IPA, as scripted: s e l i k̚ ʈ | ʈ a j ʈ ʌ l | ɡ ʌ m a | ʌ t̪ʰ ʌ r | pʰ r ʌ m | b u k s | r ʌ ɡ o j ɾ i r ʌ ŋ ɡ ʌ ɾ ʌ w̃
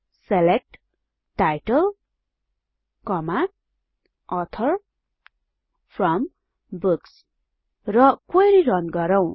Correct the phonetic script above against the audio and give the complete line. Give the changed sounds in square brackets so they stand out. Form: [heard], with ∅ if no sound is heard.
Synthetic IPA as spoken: s e l [e] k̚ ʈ | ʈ a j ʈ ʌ l | [k] ʌ m a | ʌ t̪ʰ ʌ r | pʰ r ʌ m | b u k s | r ʌ [k] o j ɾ i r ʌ [n] ɡ ʌ ɾ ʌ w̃